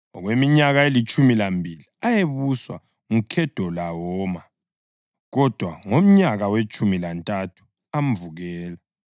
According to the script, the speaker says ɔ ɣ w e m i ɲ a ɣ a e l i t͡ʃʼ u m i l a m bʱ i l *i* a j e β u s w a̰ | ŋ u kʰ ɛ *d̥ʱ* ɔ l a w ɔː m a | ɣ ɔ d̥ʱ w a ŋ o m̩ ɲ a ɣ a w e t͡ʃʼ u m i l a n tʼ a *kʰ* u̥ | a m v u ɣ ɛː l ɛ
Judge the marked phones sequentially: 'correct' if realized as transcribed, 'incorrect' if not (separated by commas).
correct, correct, incorrect